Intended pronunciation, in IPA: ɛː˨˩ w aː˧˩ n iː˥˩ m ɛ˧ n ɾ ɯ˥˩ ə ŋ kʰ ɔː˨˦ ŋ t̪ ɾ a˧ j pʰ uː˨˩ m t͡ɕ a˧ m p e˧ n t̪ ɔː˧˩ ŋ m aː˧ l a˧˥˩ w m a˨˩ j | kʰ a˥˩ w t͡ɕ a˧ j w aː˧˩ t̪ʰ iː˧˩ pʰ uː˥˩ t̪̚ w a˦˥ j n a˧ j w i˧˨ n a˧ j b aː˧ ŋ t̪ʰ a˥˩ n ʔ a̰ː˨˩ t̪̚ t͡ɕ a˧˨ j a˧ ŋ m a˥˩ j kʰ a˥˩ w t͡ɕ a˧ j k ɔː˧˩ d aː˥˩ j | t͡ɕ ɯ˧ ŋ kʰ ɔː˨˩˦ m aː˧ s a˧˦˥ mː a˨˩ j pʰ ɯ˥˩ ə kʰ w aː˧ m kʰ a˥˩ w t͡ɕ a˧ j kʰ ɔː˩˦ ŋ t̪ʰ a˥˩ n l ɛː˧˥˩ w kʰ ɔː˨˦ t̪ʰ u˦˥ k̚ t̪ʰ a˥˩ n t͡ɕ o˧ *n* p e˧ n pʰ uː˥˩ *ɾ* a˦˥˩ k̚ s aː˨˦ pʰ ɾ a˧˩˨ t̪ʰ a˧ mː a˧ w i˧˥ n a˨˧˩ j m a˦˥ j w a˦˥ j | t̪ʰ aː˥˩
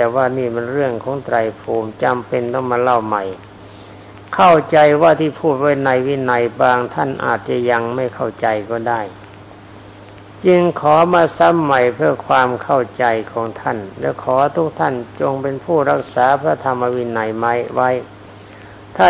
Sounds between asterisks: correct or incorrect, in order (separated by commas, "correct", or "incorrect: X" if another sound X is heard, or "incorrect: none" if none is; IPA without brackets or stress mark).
incorrect: ŋ, correct